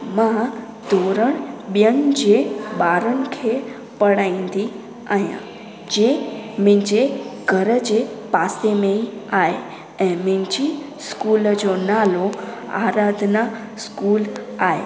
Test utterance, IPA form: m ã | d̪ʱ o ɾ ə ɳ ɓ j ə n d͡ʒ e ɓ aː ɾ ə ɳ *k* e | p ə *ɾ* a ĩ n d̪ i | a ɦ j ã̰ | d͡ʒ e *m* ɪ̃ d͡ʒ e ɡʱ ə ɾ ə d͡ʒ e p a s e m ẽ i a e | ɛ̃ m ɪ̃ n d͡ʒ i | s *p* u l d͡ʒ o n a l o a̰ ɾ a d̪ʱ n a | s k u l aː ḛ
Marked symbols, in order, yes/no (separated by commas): no, no, yes, no